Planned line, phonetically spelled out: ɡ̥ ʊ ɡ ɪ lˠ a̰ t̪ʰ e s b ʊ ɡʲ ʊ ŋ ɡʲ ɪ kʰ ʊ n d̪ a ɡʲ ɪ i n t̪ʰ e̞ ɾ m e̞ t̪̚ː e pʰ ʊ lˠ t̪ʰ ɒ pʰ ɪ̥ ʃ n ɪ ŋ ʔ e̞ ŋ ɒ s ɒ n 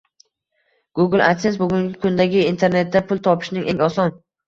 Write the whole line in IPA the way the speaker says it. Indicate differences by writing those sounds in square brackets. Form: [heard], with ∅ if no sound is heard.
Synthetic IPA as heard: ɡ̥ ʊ ɡ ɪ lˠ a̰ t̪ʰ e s b ʊ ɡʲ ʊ ŋ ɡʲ ɪ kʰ ʊ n d̪ a ɡʲ ɪ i n t̪ʰ e̞ ɾ [n] e̞ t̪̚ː [a] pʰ ʊ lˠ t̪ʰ ɒ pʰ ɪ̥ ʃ n ɪ ŋ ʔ e̞ ŋ ɒ s ɒ n